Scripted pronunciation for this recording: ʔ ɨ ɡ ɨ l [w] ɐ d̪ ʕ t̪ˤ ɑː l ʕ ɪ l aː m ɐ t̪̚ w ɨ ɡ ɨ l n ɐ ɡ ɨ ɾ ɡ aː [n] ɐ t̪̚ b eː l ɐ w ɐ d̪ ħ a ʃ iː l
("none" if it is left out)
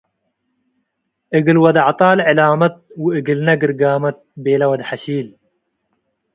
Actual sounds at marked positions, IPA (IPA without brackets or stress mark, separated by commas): w, m